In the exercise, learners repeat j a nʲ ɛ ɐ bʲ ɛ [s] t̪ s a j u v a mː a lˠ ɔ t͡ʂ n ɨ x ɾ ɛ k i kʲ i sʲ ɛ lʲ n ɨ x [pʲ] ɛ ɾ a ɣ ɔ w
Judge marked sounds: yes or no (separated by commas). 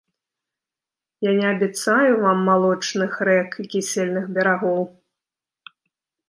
no, no